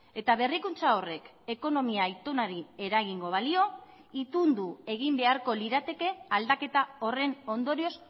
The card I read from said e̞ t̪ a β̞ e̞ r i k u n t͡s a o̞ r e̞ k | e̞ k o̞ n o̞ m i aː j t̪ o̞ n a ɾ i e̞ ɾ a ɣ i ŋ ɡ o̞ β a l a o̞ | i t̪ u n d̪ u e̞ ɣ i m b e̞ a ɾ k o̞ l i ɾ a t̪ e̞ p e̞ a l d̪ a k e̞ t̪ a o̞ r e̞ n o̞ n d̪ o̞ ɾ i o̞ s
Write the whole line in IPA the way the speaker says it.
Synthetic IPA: e̞ t̪ a β̞ e̞ r i k u n t͡s a o̞ r e̞ k | e̞ k o̞ n o̞ m i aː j t̪ o̞ n a ɾ i e̞ ɾ a ɣ i ŋ ɡ o̞ β a l i o̞ | i t̪ u n d̪ u e̞ ɣ i m b e̞ a ɾ k o̞ l i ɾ a t̪ e̞ k e̞ a l d̪ a k e̞ t̪ a o̞ r e̞ n o̞ n d̪ o̞ ɾ i o̞ s